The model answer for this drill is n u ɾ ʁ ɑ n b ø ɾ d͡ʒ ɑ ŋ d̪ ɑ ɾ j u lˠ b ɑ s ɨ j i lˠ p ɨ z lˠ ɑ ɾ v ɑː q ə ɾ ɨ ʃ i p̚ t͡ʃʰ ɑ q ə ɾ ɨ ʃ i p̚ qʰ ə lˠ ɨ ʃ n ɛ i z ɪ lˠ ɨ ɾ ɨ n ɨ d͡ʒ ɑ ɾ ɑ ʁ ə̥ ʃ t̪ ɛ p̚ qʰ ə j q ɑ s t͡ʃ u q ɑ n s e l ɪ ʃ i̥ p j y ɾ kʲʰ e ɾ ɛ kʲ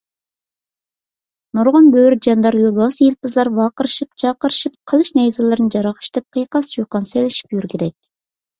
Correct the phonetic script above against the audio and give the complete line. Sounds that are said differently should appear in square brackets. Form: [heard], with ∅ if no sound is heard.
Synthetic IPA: n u ɾ ʁ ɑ n b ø ɾ d͡ʒ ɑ [n] d̪ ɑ ɾ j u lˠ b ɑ s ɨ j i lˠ p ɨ z lˠ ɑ ɾ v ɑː q ə ɾ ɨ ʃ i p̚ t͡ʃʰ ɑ q ə ɾ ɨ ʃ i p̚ qʰ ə lˠ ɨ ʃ n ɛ [j] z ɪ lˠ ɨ ɾ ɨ n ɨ d͡ʒ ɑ ɾ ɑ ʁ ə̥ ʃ t̪ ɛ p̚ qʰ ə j q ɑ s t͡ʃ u q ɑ n s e l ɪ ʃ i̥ p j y ɾ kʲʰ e ɾ ɛ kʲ